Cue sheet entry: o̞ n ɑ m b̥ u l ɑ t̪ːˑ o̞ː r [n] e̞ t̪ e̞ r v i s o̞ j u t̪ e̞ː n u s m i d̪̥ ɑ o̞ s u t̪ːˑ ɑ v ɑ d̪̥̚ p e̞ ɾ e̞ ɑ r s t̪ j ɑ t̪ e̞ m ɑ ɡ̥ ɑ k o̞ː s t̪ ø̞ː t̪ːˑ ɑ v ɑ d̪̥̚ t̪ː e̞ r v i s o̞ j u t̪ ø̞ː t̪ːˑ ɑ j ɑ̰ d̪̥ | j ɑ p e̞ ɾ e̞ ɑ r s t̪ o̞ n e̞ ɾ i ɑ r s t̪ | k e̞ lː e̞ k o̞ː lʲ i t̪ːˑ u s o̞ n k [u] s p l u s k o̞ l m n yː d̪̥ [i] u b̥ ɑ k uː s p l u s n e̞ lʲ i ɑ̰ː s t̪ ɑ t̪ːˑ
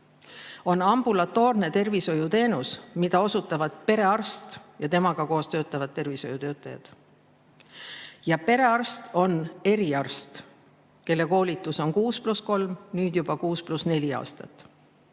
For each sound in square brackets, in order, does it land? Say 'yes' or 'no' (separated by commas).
yes, no, no